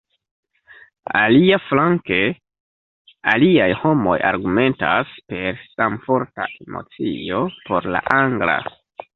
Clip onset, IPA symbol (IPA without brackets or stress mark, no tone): a